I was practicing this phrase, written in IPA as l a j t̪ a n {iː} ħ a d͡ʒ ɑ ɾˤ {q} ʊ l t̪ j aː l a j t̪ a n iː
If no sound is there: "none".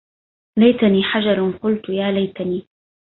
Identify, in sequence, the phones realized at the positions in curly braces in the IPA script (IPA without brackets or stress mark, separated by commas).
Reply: iː, q